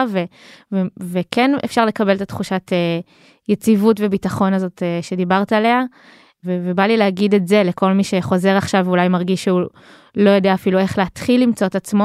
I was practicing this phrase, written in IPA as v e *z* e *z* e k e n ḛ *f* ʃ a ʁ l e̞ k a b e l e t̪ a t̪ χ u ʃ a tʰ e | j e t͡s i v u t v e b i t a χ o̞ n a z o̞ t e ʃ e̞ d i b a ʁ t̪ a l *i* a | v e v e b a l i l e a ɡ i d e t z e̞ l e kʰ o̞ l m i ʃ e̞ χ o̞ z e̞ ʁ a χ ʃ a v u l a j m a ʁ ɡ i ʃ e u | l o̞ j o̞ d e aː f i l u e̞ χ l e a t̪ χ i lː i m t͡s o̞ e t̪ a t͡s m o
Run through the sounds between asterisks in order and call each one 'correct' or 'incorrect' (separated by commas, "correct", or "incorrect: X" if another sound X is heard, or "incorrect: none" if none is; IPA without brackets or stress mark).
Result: incorrect: v, incorrect: v, correct, incorrect: e